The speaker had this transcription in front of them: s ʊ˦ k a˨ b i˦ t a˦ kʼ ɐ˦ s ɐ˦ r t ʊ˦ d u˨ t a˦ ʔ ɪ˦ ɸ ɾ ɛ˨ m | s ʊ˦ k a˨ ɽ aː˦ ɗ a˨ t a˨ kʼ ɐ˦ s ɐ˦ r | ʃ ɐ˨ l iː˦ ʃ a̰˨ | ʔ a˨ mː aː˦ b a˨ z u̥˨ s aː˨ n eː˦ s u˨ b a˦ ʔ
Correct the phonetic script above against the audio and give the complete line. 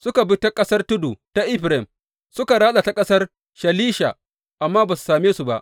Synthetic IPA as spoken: s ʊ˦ k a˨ b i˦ t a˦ kʼ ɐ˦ s ɐ˦ r t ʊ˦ d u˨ t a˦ ʔ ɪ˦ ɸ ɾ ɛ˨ m | s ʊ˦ k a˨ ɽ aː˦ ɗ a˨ t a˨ kʼ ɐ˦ s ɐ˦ r | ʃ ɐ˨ l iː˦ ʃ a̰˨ | ʔ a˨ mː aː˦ b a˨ s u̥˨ s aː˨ m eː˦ s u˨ b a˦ ʔ